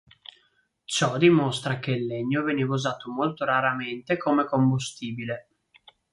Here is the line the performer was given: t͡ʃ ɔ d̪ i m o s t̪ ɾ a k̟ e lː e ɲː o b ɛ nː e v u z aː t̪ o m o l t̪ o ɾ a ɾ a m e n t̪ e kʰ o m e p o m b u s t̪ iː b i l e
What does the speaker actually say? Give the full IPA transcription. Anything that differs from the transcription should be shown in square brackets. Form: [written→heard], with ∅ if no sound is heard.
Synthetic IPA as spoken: t͡ʃ ɔ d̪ i m o s t̪ ɾ a k̟ e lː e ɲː o [b→v] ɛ [nː→n] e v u z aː t̪ o m o l t̪ o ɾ a ɾ a m e n t̪ e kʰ o m e [p→k] o m b u s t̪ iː b i l e